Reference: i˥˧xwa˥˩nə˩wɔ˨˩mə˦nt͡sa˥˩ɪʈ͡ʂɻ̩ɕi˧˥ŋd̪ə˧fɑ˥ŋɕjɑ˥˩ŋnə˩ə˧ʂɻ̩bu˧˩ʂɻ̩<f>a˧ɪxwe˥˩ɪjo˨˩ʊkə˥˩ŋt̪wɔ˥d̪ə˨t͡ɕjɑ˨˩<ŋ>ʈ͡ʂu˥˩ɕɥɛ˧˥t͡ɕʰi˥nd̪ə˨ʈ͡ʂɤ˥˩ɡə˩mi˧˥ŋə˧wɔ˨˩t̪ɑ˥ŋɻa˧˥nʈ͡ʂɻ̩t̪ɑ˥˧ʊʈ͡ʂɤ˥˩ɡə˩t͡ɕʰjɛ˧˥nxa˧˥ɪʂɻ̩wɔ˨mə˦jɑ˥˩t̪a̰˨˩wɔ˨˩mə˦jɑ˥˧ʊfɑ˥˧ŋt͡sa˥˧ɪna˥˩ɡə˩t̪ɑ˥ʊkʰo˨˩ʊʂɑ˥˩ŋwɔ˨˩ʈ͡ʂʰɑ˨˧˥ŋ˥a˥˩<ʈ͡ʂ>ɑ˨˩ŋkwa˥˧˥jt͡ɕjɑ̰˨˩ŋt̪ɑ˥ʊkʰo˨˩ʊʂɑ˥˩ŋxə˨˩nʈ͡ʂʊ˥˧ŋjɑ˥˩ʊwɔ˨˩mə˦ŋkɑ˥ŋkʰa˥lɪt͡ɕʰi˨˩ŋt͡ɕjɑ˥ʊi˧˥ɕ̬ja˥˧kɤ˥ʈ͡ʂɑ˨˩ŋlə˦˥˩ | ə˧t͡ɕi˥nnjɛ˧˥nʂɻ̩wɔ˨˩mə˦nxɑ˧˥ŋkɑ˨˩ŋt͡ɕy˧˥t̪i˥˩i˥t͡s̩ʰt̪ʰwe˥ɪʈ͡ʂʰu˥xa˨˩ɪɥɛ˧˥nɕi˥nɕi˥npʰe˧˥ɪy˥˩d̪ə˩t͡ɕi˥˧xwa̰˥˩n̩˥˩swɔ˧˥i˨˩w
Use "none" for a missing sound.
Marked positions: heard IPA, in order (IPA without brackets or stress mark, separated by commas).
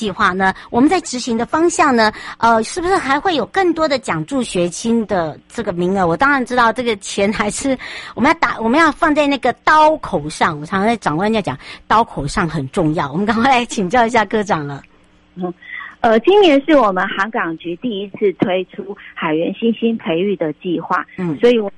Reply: x, ŋ, ʈ͡ʂ